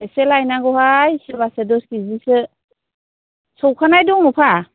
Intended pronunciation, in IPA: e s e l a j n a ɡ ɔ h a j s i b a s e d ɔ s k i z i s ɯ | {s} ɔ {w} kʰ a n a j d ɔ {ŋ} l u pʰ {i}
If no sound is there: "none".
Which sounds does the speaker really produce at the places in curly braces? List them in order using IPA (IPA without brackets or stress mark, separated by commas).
s, w, ŋ, a